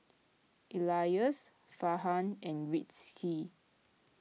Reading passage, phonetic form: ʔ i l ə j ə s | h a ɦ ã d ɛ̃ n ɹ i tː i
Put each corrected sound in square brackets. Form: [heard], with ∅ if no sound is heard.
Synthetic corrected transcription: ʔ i l [a] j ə s | [f] a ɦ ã [n] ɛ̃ n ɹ i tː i